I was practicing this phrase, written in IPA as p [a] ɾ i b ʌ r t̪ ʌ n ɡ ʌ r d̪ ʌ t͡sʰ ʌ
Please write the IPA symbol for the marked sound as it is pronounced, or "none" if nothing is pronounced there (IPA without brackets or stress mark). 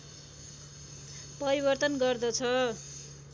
ʌ